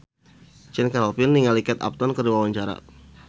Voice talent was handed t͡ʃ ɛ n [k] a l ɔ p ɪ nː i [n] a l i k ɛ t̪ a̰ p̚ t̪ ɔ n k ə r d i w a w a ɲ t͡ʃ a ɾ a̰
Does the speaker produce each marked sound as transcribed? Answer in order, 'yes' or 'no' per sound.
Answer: yes, no

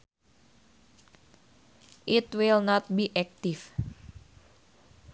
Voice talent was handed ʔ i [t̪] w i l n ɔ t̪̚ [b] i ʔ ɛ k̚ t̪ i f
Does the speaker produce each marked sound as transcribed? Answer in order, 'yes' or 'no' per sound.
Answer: yes, yes

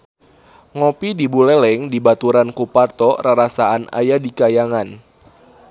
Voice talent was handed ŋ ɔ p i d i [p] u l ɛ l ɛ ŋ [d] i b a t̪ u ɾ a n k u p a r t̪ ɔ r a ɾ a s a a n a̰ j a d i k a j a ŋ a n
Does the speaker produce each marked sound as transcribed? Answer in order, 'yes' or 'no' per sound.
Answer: no, yes

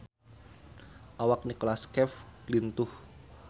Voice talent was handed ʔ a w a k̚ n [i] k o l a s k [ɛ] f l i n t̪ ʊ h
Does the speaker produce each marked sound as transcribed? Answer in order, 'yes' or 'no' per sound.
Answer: yes, yes

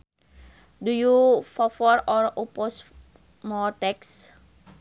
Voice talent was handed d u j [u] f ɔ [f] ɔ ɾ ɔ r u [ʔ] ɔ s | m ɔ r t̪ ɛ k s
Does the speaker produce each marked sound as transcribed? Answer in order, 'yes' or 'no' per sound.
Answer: yes, yes, no

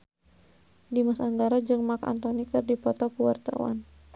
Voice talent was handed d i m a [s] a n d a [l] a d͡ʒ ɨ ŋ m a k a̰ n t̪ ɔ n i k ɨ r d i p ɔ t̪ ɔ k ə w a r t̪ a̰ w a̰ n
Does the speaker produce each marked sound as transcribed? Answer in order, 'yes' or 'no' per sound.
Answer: yes, no

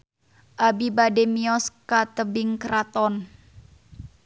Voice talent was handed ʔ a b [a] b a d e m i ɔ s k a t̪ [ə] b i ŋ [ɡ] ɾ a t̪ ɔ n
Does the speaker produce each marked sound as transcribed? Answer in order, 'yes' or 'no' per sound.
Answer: no, yes, no

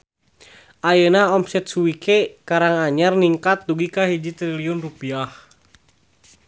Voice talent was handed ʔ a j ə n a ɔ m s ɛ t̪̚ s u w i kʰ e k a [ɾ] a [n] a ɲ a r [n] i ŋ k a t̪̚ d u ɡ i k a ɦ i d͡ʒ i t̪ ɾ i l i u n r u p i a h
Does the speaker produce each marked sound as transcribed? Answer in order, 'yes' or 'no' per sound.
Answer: yes, no, yes

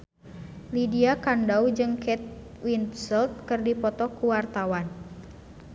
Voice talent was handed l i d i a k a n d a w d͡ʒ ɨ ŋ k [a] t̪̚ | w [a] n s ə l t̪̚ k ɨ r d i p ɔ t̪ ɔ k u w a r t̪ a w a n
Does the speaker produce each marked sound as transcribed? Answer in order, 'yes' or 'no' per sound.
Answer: no, no

